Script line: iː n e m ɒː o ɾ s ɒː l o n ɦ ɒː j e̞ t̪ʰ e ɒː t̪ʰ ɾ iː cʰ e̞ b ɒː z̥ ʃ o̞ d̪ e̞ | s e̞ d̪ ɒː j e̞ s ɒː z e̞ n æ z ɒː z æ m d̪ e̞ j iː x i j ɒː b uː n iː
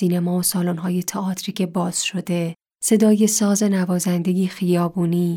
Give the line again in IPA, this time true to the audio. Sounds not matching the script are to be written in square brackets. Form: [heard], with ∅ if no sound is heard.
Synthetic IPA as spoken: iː n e m ɒː o [∅] s ɒː l o n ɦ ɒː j e̞ t̪ʰ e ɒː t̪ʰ ɾ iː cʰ e̞ b ɒː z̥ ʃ o̞ d̪ e̞ | s e̞ d̪ ɒː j e̞ s ɒː z e̞ n æ [v] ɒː z æ [n] d̪ e̞ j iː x i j ɒː b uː n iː